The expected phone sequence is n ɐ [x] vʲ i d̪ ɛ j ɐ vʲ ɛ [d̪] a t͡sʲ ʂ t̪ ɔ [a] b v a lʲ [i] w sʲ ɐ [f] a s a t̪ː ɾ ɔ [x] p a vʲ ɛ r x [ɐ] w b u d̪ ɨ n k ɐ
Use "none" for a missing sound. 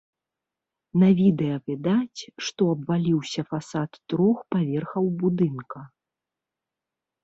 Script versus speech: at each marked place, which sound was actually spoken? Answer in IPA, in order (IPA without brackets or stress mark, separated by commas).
none, d̪, ɐ, i, f, x, ɐ